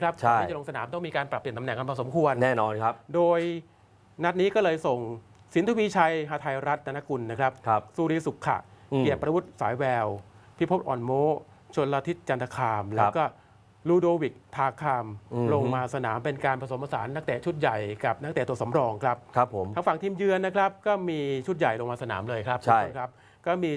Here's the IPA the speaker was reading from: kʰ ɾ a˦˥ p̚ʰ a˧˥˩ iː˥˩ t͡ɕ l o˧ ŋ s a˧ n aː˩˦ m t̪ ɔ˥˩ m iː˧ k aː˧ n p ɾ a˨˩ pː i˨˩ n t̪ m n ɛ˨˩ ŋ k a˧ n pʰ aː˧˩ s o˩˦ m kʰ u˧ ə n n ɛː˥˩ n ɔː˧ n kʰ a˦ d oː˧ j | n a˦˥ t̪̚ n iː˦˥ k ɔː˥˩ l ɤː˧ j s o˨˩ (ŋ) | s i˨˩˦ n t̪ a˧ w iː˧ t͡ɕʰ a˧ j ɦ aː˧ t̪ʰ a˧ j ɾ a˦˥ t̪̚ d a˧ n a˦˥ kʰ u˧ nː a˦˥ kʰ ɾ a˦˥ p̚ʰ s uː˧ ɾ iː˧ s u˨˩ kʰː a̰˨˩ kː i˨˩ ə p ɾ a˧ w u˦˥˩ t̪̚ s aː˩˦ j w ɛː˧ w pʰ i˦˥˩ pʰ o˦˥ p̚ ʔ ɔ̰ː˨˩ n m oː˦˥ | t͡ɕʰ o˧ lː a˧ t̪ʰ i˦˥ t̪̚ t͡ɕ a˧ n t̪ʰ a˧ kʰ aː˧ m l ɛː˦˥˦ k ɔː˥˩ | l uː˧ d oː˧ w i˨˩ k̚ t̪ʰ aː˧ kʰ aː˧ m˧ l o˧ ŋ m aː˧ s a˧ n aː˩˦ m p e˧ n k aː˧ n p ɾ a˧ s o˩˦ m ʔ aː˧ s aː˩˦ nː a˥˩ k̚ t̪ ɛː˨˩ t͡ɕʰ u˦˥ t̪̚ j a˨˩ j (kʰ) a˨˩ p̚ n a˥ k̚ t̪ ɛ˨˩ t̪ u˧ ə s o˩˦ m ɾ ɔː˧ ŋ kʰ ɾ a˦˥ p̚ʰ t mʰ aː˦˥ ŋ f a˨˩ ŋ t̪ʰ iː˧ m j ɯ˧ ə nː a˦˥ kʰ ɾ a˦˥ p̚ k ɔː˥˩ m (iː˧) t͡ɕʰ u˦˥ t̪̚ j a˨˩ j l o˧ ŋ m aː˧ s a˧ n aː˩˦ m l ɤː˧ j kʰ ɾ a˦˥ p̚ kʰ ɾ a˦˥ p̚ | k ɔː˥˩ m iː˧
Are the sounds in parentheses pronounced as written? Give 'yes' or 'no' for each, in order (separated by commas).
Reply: yes, no, yes